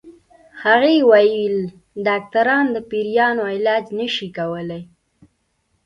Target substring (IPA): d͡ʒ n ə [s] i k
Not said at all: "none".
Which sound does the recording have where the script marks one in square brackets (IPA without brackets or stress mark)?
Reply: ʃ